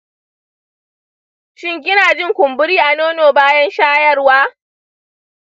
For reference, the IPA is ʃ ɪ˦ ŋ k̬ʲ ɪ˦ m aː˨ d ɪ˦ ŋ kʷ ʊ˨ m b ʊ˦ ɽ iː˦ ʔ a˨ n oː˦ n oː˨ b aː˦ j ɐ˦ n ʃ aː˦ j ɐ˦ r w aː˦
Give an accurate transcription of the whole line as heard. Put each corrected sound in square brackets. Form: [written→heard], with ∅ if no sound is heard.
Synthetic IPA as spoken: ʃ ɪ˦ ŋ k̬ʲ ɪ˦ [m→n] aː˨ [d→d͡ʒ] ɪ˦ ŋ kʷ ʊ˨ m b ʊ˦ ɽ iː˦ ʔ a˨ n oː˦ n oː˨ b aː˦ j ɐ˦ n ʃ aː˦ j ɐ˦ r w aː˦